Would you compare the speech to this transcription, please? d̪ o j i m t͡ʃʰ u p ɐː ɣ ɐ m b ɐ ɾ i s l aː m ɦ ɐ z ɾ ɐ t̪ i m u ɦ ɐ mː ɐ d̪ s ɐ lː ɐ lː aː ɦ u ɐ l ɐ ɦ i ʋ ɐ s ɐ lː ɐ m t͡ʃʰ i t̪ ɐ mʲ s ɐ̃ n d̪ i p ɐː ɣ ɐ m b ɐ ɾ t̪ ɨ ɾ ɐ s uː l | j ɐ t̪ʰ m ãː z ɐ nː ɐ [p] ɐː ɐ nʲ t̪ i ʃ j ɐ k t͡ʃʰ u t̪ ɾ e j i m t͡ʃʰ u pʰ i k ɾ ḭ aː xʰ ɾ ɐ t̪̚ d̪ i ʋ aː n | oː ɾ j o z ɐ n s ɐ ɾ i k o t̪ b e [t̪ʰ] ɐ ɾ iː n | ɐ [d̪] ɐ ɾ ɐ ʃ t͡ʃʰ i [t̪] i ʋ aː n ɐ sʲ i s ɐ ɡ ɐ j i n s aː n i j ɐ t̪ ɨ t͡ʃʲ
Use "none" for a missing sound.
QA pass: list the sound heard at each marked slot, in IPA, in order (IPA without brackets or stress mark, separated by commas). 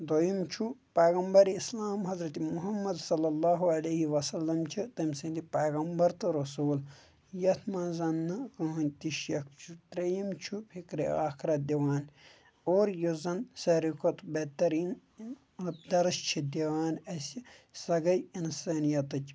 k, t̪, d̪, d̪